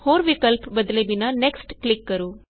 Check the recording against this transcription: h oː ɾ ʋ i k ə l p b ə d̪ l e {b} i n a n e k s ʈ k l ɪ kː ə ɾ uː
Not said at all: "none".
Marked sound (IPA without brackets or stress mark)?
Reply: b